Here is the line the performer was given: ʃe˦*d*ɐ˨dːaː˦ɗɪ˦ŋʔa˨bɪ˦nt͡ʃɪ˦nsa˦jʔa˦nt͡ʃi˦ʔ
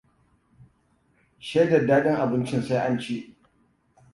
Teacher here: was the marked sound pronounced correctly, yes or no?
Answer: yes